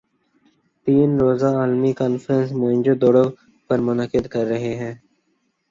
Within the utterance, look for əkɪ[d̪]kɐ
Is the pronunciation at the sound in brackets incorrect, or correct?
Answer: correct